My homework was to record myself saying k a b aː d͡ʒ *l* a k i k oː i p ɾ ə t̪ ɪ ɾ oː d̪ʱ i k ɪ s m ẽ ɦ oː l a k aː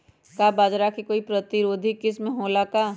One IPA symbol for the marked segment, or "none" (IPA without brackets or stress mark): ɾ